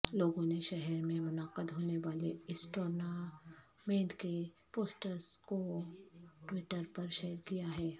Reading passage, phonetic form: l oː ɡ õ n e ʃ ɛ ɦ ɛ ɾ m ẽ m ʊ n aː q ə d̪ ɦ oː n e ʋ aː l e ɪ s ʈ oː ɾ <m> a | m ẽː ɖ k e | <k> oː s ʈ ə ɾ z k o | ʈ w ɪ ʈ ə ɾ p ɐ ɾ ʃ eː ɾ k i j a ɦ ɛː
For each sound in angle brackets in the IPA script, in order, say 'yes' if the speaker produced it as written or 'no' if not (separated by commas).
no, no